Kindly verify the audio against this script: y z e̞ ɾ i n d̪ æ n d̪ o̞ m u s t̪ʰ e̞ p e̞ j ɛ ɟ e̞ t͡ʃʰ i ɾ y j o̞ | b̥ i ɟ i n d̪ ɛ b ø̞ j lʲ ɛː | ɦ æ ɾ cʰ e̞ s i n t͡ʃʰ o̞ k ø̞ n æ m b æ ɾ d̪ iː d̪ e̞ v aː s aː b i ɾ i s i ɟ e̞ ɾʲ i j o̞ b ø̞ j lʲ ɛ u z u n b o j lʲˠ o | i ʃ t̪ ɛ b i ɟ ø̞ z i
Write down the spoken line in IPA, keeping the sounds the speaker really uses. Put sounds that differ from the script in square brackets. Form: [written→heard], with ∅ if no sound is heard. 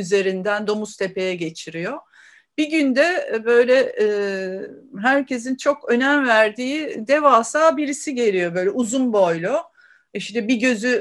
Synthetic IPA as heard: y z e̞ ɾ i n d̪ æ n d̪ o̞ m u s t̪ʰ e̞ p e̞ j ɛ ɟ e̞ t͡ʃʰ i ɾ [y→i] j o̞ | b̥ i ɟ [i→y] n d̪ ɛ b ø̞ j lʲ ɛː | ɦ æ ɾ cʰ e̞ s i n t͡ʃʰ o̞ k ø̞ n æ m [b→v] æ ɾ d̪ iː d̪ e̞ v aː s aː b i ɾ i s i ɟ e̞ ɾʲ i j o̞ b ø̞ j lʲ ɛ u z u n b o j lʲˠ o | i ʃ t̪ ɛ b i ɟ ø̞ z [i→y]